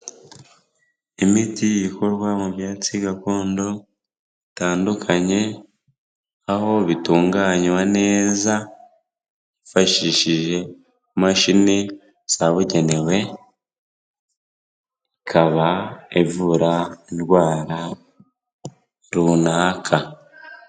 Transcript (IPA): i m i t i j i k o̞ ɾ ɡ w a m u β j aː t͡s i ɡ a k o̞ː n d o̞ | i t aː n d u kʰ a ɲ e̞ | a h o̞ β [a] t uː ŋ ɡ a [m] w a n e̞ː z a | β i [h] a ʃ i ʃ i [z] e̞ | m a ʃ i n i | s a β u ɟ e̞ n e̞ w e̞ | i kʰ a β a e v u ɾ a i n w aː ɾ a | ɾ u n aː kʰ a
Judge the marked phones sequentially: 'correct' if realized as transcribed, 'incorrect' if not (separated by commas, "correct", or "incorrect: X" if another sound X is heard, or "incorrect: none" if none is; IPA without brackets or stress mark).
incorrect: i, incorrect: ɲ, incorrect: f, incorrect: ʒ